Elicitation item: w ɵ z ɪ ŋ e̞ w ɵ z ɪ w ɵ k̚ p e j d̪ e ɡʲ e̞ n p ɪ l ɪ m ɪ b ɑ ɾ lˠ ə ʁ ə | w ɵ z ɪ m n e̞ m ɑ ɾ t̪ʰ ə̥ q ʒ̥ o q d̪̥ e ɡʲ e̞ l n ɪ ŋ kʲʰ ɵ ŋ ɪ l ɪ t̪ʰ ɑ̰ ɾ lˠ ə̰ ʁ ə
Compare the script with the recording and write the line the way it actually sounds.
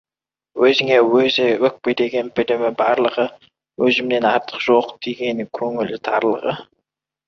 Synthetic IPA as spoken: w ɵ z ɪ ŋ e̞ w ɵ z ɪ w ɵ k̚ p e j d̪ e ɡʲ e̞ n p ɪ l ɪ m ɪ b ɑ ɾ lˠ ə ʁ ə | w ɵ z ɪ m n e̞ n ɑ ɾ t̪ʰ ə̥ q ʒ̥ o q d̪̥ e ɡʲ e̞ n ɪ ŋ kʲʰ ɵ ŋ ɪ l ɪ t̪ʰ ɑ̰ ɾ lˠ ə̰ ʁ ə